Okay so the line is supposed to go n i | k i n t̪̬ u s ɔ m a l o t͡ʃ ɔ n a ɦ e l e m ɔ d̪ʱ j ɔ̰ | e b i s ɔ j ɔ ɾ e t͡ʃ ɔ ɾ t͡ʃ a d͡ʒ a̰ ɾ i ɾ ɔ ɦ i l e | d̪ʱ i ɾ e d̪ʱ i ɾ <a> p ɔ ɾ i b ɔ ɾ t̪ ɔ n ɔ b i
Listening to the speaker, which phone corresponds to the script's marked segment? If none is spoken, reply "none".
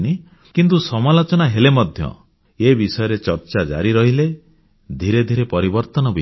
e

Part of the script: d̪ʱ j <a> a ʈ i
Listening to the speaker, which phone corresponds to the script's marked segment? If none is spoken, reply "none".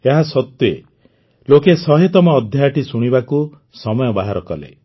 a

